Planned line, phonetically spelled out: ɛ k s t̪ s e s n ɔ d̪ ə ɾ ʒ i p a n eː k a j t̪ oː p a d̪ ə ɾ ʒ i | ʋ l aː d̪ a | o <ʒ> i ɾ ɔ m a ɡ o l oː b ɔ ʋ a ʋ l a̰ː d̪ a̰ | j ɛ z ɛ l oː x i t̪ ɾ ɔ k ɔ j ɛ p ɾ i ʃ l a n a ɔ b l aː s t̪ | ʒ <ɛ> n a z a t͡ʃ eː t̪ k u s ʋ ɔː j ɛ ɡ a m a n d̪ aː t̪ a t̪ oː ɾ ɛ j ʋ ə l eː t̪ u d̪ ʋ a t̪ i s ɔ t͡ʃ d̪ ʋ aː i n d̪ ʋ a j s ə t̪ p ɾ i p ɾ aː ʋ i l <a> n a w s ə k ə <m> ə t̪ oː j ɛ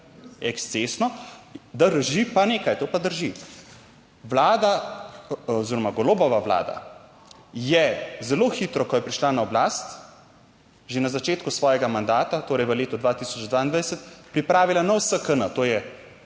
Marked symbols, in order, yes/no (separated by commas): no, no, yes, no